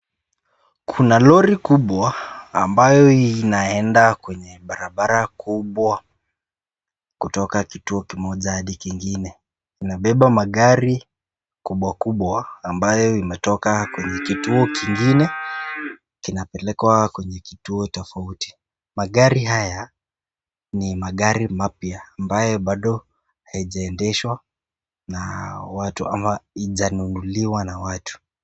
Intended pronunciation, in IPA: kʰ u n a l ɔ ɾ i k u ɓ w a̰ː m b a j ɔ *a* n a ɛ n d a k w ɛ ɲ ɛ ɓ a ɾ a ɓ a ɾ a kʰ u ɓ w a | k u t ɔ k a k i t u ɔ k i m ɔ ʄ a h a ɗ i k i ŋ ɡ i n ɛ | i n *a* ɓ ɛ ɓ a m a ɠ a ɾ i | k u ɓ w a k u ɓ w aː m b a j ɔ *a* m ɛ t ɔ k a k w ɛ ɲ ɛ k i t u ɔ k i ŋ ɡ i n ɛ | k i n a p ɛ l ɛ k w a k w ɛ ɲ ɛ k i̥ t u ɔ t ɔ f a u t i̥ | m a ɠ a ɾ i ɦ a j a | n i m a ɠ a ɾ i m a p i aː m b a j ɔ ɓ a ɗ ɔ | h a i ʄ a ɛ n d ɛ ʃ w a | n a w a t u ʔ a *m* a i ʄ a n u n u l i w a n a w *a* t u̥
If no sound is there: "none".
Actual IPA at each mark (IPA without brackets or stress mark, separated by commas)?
i, a, i, m, a